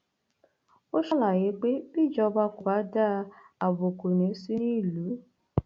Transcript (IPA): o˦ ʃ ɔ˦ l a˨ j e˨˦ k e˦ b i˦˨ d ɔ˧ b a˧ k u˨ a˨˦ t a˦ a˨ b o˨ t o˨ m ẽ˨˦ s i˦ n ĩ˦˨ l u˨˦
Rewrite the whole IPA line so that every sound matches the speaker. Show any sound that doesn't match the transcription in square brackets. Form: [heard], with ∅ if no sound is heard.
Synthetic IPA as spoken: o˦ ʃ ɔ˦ l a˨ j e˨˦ [k͡p] e˦ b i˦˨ [d͡ʒ] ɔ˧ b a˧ k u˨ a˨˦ [d] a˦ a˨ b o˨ [k] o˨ [n] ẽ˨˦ s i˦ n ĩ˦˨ l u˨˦